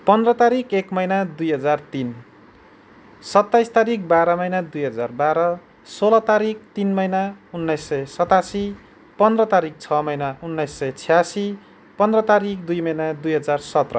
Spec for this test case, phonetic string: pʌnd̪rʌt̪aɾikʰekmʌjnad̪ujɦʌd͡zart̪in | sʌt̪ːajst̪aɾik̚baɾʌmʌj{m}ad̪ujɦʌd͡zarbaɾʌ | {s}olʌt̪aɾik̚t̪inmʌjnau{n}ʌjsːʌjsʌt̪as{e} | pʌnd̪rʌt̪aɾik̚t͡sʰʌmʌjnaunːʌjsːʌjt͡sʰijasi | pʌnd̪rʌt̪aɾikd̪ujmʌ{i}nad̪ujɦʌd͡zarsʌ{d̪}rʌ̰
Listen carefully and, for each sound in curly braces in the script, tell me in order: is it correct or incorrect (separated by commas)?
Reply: incorrect, correct, incorrect, incorrect, incorrect, incorrect